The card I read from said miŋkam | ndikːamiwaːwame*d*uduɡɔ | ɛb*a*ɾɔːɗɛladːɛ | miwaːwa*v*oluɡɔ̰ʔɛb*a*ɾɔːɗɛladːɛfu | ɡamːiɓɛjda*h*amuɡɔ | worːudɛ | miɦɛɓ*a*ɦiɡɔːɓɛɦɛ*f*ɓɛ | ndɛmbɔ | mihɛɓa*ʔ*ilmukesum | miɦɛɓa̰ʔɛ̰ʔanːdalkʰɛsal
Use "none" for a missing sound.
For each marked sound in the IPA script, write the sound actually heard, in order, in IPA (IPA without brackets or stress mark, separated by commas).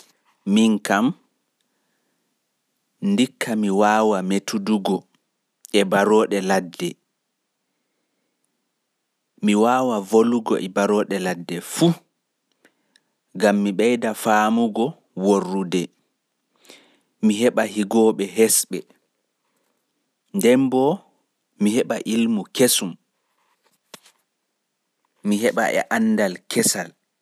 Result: t, a, v, a, f, a, s, ʔ